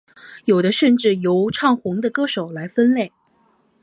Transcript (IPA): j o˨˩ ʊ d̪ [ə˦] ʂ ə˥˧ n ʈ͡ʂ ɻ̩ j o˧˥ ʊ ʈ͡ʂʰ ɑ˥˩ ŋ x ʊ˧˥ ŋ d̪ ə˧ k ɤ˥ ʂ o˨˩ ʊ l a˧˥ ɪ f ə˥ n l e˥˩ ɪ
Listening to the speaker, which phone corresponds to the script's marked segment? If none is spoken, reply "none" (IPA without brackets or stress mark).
ə˦